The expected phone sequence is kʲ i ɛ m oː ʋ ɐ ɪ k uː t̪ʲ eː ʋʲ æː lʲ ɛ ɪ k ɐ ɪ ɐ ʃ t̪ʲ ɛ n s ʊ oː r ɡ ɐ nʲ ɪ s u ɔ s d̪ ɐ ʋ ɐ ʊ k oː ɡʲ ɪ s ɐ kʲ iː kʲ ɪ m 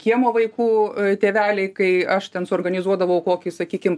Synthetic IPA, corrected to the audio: kʲ i ɛ m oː ʋ ɐ ɪ k uː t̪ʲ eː ʋʲ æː lʲ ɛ ɪ k ɐ ɪ ɐ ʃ t̪ʲ ɛ n s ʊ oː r ɡ ɐ nʲ ɪ z u ɔ d̪ ɐ ʋ ɐ ʊ k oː kʲ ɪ s ɐ kʲ iː kʲ ɪ m